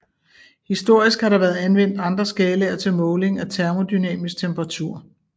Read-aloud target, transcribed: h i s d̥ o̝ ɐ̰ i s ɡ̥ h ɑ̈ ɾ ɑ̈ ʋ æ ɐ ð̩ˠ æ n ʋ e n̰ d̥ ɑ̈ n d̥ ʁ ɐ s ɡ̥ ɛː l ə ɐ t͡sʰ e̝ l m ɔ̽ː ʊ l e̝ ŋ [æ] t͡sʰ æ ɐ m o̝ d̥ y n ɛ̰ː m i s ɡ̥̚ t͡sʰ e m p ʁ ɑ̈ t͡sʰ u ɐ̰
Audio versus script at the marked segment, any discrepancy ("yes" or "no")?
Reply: no